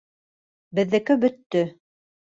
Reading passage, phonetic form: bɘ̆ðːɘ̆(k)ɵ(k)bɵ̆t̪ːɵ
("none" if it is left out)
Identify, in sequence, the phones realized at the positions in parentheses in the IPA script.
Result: k, none

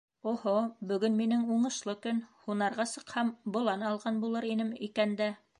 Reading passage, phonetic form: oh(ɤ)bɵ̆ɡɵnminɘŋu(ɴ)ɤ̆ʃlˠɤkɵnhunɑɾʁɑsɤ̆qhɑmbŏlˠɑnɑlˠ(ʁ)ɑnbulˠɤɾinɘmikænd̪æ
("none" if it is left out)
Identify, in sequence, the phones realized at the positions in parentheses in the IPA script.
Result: o, ɴ, ʁ

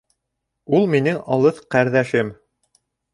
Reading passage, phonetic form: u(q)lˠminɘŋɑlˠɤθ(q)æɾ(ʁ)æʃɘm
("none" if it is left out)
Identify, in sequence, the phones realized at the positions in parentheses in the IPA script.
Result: none, q, ð

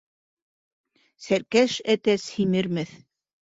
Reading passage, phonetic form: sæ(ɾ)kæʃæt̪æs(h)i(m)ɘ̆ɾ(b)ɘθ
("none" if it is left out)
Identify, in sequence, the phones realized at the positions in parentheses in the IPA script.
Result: ɾ, h, m, m

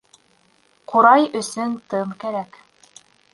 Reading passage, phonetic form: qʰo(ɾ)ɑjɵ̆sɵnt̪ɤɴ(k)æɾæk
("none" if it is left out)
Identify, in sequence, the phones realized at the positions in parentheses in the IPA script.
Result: ɾ, k

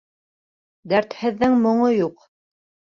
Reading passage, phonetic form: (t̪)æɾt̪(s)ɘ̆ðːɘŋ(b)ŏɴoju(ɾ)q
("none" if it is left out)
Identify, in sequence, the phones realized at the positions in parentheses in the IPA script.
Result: d̪, h, m, none

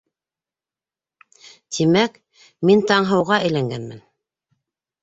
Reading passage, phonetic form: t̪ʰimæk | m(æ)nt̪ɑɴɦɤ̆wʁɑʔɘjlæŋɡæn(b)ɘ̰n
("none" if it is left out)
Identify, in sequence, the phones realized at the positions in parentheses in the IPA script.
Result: i, m

